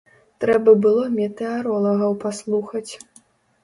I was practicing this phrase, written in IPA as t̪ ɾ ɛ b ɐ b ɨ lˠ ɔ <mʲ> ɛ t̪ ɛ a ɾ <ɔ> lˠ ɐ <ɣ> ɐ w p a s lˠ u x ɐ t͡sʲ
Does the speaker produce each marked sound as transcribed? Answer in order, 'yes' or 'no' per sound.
yes, yes, yes

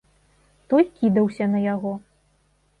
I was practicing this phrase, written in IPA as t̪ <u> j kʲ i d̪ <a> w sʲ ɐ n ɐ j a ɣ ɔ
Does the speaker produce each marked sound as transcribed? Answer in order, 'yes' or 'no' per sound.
no, no

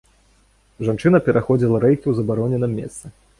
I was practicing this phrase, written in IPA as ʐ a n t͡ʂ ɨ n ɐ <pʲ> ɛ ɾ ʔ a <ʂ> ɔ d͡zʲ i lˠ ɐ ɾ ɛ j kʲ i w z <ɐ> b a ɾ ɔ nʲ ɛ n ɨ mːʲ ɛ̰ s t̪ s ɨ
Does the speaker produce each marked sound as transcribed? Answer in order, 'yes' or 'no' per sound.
yes, no, yes

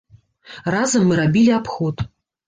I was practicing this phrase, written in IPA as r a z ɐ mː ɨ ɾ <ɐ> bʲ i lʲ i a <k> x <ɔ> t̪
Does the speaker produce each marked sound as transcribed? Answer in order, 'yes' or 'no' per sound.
no, no, yes

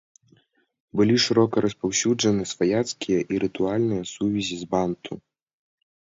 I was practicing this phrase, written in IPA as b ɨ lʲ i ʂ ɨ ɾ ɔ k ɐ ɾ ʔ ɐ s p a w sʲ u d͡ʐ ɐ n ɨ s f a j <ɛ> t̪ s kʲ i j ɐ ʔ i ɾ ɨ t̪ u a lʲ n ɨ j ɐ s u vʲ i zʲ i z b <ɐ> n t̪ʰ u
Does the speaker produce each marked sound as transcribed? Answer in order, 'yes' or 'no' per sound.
no, no

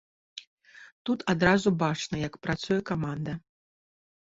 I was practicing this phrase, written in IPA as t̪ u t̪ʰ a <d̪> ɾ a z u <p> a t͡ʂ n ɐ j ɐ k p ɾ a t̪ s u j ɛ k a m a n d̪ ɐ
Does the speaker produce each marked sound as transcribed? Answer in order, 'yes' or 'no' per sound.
yes, no

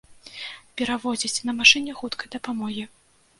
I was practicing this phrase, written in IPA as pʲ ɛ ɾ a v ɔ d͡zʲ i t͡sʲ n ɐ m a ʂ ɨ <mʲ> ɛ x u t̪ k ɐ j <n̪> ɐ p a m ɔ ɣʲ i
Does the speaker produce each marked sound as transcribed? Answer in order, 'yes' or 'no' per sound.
no, no

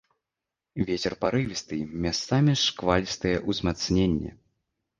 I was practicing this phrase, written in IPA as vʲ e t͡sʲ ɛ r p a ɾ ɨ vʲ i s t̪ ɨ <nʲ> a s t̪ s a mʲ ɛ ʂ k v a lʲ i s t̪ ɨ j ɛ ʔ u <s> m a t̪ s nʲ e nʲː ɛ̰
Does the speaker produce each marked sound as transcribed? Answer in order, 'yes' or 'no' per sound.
no, no

